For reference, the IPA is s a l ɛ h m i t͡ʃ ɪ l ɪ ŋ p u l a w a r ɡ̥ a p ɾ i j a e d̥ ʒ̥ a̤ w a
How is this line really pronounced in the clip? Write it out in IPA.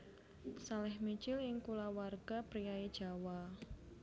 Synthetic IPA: s a l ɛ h m i t͡ʃ ɪ l ɪ ŋ k u l a w a r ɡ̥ a p ɾ i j a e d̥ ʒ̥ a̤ w a